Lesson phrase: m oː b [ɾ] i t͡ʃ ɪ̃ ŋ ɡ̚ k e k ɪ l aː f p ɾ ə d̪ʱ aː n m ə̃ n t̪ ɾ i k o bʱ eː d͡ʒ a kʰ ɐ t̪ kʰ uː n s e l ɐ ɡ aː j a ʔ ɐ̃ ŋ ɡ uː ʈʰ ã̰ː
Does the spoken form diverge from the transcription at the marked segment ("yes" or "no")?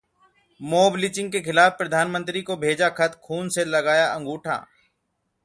yes